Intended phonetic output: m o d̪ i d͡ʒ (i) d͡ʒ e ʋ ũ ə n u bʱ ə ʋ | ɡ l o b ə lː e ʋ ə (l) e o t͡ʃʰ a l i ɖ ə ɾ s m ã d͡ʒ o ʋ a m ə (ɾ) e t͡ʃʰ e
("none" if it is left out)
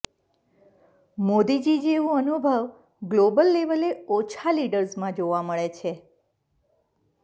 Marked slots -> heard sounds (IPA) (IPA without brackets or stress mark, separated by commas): i, l, ɭ